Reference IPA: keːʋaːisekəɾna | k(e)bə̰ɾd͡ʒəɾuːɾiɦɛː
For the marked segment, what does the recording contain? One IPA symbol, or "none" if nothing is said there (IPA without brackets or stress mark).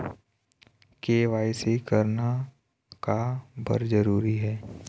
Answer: a